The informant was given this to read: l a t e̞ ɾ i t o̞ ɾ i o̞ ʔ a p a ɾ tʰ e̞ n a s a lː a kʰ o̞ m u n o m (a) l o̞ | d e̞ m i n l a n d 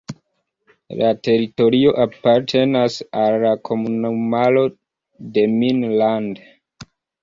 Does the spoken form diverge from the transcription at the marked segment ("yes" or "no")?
no